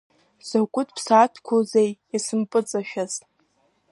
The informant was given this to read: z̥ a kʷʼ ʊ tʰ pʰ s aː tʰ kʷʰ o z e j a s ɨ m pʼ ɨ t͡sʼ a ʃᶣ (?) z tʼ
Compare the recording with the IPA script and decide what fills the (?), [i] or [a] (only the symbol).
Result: a